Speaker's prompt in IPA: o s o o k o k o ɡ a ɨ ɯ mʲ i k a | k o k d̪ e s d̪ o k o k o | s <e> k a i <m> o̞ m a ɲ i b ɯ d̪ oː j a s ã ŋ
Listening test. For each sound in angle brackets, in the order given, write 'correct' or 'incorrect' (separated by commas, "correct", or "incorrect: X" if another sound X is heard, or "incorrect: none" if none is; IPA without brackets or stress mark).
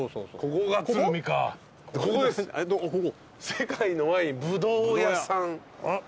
correct, incorrect: n